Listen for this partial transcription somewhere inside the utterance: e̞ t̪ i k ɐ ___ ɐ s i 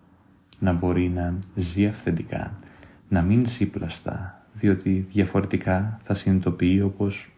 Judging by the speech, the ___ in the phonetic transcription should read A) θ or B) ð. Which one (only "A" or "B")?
A